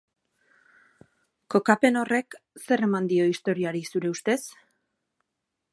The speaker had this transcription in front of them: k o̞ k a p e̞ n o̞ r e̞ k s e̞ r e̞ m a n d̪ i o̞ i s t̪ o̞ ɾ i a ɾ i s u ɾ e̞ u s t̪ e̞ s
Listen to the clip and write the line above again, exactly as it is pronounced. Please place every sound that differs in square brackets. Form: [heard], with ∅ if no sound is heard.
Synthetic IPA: k o̞ k a p e̞ n o̞ r e̞ k s e̞ r e̞ m a n d̪ i o̞ i s t̪ o̞ ɾ i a ɾ i s u ɾ e̞ u s t̪ e̞ s